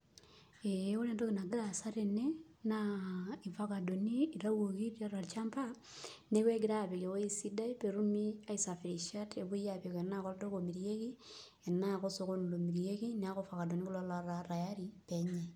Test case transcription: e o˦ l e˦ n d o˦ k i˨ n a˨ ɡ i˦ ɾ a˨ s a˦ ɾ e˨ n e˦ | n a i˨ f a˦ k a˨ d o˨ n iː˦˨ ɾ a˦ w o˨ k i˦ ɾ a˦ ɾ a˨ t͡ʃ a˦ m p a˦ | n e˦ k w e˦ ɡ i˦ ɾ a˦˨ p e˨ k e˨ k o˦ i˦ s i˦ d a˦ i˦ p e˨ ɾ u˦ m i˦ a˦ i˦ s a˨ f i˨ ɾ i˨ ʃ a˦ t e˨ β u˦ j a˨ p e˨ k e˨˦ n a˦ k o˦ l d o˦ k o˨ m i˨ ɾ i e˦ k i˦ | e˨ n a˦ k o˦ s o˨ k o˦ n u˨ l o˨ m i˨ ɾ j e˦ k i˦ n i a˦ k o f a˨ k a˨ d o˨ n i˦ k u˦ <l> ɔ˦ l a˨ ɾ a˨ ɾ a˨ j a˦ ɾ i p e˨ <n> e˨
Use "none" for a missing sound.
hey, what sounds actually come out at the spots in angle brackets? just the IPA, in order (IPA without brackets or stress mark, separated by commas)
l, ɲ